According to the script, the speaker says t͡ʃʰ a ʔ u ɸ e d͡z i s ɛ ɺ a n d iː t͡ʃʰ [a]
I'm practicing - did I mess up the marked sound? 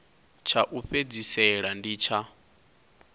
no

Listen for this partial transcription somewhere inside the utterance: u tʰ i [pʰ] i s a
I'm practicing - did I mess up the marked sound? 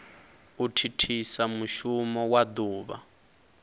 yes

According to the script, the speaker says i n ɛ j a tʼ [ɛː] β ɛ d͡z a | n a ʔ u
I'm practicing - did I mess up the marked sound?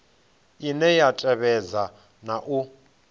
yes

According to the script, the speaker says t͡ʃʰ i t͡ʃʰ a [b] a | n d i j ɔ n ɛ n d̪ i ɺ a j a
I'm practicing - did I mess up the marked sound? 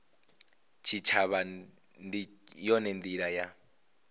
yes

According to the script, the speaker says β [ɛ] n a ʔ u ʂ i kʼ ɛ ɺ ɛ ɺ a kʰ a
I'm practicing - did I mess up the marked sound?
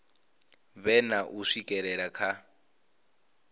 no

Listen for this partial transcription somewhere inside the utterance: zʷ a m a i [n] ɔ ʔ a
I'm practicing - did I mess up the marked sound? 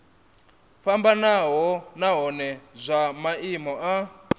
yes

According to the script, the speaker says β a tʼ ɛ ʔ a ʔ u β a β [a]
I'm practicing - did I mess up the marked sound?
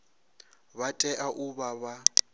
no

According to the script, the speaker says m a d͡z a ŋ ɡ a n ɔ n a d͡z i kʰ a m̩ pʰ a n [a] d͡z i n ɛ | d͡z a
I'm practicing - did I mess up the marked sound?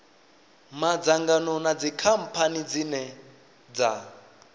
yes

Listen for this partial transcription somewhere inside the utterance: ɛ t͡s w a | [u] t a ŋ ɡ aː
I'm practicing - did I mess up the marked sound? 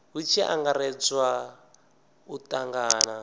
no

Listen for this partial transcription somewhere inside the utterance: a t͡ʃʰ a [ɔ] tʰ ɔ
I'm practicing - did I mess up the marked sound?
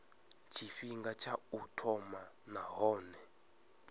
yes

